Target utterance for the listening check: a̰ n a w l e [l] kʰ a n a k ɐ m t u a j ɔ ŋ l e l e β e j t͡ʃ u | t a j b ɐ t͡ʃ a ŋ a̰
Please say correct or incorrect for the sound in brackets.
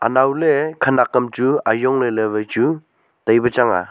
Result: incorrect